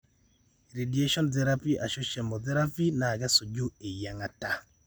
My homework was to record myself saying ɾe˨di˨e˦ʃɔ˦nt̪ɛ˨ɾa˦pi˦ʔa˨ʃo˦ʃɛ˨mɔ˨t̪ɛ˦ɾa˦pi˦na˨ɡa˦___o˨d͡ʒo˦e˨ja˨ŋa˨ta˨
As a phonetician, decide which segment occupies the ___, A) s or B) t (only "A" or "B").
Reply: A